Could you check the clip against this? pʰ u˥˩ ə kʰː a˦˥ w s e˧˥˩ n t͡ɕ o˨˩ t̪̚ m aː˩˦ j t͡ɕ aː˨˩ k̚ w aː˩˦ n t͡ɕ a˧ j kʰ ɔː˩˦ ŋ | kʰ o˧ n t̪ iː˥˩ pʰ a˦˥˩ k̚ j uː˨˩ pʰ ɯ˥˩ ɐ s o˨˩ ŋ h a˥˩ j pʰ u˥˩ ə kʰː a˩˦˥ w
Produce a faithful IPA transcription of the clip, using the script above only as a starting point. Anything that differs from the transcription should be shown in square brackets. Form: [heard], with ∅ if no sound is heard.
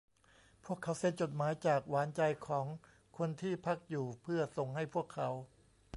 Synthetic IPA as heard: pʰ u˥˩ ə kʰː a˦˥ w s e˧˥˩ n t͡ɕ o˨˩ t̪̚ m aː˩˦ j t͡ɕ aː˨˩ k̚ w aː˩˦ n t͡ɕ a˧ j kʰ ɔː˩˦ ŋ | kʰ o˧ n [t̪ʰ] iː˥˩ pʰ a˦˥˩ k̚ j uː˨˩ pʰ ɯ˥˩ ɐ s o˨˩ ŋ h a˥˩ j pʰ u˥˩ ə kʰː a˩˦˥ w